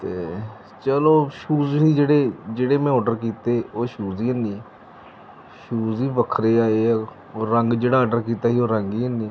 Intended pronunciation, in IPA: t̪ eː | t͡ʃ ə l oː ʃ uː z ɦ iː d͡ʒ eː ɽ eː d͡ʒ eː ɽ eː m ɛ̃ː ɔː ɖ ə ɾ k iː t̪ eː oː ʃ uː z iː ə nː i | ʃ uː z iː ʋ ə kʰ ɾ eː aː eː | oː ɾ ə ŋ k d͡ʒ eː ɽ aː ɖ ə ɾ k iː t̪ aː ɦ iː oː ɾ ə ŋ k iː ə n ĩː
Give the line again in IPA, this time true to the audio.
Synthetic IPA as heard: t̪ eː | t͡ʃ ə l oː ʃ uː z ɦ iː d͡ʒ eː ɽ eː d͡ʒ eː ɽ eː m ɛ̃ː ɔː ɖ ə ɾ k iː t̪ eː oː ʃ uː z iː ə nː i | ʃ uː z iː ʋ ə kʰ ɾ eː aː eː | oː ɾ ə ŋ ɡ d͡ʒ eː ɽ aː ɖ ə ɾ k iː t̪ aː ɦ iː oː ɾ ə ŋ ɡ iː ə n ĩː